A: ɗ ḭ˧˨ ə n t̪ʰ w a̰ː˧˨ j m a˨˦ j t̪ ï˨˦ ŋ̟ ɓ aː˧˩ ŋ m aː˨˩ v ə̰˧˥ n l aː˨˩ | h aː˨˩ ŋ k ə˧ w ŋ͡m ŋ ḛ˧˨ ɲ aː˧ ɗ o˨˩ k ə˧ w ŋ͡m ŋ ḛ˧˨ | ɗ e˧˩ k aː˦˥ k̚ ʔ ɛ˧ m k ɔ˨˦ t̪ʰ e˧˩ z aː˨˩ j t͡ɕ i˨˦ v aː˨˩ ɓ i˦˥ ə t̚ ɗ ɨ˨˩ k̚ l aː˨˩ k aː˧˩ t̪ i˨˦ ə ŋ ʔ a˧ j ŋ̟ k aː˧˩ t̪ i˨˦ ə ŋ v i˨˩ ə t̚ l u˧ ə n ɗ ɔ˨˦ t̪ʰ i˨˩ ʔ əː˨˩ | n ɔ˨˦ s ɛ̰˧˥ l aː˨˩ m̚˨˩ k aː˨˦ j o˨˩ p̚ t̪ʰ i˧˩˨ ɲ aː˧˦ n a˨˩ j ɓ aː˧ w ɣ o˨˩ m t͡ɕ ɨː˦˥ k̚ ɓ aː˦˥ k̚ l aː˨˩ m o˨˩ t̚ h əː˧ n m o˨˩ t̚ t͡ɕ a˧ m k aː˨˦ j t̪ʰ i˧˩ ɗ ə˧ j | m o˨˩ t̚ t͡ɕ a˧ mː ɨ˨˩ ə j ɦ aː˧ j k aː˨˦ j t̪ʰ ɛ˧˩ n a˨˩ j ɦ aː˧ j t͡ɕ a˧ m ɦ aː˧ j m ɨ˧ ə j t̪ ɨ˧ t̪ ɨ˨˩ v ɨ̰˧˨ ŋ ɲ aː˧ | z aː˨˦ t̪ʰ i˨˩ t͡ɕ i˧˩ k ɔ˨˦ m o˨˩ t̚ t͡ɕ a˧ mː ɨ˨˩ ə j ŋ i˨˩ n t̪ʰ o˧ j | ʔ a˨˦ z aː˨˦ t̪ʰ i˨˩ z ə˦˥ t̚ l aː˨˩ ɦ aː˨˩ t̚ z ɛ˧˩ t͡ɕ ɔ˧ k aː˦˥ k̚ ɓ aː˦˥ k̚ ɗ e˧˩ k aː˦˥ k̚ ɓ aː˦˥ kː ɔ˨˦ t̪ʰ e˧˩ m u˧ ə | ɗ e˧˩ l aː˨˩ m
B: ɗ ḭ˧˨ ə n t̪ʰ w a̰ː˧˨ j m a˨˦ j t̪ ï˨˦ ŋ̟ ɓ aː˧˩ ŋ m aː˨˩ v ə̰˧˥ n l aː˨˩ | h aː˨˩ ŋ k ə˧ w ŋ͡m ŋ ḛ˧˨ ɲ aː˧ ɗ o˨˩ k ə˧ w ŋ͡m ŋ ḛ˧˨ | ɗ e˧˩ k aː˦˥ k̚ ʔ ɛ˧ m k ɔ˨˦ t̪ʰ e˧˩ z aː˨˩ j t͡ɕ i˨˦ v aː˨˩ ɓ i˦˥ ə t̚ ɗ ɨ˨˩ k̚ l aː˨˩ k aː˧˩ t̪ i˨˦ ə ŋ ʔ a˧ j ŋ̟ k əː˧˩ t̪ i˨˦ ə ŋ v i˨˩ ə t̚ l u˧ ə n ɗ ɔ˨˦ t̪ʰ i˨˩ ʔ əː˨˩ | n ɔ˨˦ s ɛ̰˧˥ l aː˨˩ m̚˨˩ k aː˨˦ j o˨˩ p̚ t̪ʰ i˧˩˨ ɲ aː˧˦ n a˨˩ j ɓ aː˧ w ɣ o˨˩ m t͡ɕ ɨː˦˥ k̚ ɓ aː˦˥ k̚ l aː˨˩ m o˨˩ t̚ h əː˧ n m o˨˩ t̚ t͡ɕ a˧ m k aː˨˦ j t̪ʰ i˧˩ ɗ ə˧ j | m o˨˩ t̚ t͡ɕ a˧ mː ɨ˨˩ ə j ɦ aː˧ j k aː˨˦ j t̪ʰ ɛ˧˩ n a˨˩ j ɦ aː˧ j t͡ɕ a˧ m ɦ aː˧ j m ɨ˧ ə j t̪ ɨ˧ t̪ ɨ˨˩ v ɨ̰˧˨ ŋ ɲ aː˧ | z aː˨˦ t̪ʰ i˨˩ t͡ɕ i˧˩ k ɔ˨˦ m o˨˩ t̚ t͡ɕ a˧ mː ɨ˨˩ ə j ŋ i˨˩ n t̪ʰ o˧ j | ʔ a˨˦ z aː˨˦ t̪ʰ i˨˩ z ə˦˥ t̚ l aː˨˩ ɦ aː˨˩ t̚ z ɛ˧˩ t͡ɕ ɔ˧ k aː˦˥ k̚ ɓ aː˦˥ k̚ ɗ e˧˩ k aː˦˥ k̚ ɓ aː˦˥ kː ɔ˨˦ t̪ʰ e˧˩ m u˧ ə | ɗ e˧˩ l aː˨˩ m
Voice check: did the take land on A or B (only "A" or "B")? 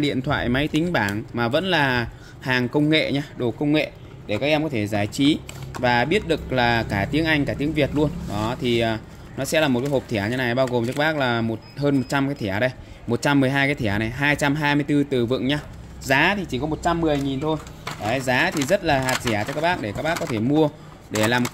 A